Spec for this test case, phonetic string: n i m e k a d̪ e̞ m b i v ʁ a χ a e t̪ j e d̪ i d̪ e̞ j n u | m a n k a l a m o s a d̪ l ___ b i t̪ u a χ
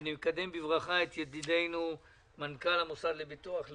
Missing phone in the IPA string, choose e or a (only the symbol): e